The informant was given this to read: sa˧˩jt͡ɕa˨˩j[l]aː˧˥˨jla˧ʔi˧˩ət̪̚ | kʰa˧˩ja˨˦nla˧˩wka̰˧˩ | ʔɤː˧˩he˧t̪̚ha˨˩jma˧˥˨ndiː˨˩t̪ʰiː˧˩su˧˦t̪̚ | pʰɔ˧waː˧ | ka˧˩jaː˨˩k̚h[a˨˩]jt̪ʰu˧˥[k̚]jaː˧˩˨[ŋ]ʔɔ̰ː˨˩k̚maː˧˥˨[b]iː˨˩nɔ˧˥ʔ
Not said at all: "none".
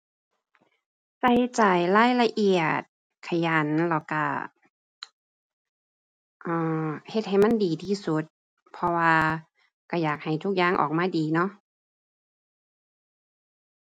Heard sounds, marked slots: l, a˨˩, k̚, ŋ, d

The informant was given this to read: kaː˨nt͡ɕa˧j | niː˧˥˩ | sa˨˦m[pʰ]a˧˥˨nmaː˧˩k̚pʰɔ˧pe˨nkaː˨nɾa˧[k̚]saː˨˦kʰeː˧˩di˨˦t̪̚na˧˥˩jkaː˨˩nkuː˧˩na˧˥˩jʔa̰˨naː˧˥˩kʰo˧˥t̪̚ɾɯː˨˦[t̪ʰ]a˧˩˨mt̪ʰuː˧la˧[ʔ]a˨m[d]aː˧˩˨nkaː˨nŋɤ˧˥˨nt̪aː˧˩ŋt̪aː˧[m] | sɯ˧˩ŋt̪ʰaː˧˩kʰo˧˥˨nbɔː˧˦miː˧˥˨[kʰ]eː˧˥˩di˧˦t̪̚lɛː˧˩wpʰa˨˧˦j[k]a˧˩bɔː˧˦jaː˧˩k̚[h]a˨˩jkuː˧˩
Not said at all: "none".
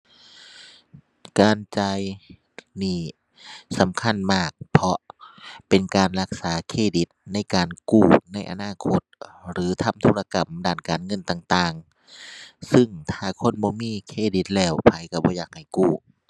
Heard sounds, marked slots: kʰ, k̚, t̪ʰ, k, d, ŋ, kʰ, k, h

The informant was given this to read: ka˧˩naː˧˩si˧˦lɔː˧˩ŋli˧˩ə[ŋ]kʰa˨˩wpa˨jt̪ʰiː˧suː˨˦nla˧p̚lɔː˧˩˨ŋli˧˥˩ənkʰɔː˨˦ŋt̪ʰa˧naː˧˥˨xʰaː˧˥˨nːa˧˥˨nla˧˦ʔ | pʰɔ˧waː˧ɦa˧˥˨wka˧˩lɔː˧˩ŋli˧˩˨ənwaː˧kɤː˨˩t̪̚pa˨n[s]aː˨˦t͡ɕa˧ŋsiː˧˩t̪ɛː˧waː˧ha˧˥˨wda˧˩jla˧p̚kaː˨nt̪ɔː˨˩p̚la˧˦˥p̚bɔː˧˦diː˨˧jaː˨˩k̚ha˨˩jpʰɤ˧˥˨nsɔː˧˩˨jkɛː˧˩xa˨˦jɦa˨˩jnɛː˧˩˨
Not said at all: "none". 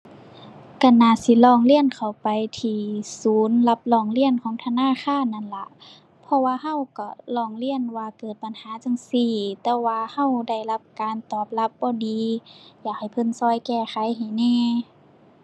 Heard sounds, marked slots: n, h

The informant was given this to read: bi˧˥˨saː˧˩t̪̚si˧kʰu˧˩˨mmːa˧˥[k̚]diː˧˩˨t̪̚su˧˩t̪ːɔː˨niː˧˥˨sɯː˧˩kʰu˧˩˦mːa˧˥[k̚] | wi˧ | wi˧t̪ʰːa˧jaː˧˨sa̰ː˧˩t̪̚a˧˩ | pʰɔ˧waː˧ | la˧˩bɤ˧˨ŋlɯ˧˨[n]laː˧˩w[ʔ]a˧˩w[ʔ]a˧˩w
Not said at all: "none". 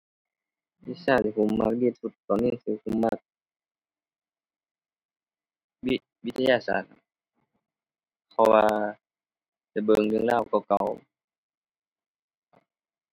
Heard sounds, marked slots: k̚, k̚, ŋ, k, k

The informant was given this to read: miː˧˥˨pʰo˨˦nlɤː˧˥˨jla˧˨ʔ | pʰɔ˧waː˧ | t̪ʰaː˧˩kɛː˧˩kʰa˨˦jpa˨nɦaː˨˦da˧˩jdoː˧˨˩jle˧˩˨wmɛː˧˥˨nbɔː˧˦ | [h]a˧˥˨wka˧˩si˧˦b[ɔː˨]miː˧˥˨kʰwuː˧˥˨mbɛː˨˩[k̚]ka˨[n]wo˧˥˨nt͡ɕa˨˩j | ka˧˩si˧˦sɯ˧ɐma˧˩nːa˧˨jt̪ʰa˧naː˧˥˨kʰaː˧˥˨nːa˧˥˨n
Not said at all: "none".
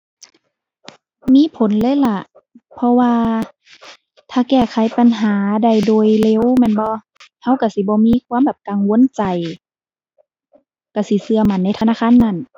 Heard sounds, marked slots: h, ɔː˧˦, p̚, ŋ

